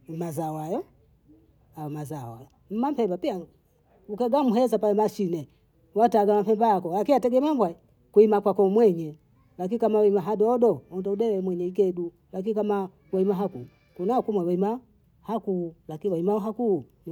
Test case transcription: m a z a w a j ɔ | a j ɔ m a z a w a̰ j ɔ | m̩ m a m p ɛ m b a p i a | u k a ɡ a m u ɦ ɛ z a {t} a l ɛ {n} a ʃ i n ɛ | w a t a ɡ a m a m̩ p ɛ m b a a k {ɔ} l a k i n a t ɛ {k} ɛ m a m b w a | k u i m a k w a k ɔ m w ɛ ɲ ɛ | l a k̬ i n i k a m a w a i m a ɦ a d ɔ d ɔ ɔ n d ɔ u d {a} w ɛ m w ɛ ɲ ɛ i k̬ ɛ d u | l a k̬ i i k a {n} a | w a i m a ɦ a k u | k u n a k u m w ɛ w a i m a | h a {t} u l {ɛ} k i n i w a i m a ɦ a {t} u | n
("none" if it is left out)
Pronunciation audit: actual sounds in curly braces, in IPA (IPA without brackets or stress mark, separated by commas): p, m, ɔ, ɡ, ɛ, m, k, a, k